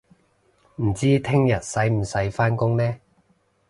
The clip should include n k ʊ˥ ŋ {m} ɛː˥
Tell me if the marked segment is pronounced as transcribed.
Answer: no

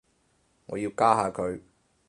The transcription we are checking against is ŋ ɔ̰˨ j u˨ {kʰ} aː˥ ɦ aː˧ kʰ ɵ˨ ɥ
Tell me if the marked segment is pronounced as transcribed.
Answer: no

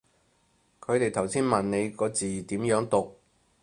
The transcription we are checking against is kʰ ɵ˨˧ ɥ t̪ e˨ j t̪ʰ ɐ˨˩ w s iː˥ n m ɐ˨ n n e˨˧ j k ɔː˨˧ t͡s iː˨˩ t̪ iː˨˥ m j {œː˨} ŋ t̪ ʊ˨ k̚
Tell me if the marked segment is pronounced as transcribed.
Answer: no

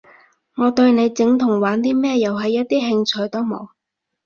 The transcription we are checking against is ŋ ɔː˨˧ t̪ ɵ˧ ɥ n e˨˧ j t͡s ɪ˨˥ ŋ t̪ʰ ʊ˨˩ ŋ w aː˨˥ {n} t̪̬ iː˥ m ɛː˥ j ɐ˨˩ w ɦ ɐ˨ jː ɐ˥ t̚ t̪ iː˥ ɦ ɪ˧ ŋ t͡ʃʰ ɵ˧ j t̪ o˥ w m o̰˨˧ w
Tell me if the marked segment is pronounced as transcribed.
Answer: yes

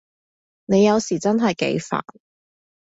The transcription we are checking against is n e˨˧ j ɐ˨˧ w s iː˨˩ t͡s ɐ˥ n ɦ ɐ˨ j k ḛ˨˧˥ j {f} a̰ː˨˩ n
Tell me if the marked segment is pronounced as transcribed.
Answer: yes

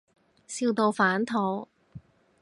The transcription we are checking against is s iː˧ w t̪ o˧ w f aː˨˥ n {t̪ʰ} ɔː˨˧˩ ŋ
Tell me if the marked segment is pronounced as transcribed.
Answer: yes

